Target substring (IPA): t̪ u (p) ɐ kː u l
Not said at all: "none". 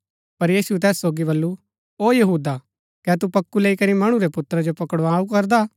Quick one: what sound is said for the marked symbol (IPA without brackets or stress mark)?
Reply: p